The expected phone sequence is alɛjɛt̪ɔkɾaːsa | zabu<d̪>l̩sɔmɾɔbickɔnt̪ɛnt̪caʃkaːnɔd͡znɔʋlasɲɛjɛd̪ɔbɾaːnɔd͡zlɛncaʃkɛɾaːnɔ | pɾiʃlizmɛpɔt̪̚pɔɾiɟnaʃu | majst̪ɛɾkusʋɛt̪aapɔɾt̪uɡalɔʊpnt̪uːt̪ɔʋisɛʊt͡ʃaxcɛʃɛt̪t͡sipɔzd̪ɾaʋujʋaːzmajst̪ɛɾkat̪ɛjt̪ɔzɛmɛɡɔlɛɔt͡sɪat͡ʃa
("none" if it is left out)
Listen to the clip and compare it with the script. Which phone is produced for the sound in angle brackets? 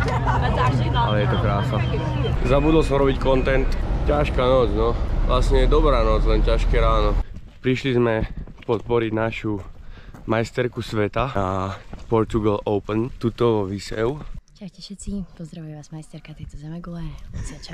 d̪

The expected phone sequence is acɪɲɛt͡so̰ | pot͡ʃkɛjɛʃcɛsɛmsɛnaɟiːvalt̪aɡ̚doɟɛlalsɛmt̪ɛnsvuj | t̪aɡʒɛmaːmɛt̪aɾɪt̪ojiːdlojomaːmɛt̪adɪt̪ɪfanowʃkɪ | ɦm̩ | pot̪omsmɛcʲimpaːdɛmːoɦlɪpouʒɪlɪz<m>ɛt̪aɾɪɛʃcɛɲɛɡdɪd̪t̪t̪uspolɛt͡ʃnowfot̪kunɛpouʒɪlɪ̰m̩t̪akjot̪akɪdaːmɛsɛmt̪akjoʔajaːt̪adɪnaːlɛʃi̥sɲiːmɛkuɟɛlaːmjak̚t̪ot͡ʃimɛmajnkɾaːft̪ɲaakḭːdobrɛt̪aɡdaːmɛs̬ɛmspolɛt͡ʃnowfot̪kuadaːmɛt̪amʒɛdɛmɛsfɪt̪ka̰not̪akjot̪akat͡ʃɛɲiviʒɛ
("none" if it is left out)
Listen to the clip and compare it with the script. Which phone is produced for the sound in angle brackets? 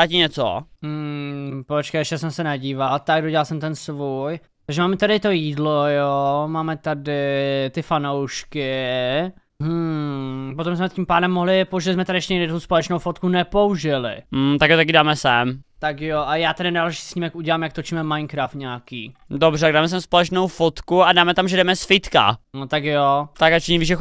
m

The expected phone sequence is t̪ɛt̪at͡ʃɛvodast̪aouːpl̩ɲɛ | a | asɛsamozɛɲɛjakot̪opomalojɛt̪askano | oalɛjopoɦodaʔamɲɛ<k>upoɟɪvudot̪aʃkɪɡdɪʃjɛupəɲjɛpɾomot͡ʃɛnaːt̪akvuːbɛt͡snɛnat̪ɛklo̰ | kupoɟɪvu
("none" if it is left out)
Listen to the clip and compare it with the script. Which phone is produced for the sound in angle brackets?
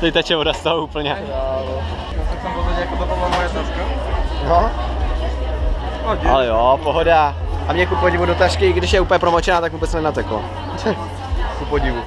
k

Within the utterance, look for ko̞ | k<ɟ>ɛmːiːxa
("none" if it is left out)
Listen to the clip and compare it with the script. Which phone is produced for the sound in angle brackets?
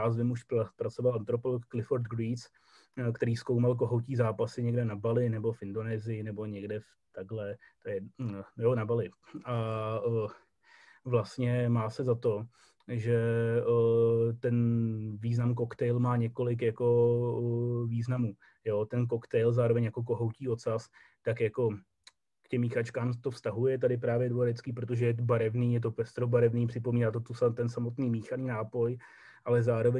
c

